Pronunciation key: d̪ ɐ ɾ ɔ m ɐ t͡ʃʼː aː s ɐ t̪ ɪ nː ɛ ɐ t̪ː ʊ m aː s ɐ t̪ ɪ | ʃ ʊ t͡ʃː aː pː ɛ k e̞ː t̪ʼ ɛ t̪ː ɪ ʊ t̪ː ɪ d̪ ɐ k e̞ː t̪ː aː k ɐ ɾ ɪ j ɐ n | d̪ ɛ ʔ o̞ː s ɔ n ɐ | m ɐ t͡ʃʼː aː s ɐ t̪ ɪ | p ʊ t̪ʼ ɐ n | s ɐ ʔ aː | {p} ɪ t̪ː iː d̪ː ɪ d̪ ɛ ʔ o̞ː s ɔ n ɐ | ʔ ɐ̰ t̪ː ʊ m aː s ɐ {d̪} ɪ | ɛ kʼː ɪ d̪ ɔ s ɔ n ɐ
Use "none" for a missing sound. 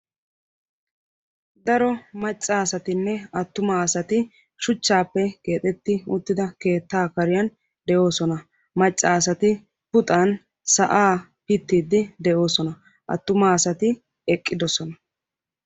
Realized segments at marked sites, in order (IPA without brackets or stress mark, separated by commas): p, t̪